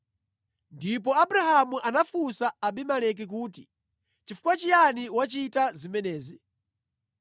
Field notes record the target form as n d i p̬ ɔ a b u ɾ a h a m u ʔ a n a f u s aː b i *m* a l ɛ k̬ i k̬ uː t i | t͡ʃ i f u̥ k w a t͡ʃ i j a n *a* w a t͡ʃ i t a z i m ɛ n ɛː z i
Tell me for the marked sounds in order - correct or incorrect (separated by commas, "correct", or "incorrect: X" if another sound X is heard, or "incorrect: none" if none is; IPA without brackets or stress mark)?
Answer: correct, incorrect: i